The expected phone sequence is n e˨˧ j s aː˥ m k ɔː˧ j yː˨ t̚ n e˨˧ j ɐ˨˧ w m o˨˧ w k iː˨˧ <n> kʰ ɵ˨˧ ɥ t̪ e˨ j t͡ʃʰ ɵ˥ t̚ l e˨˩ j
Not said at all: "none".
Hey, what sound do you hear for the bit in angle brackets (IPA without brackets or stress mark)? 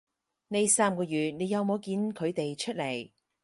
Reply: n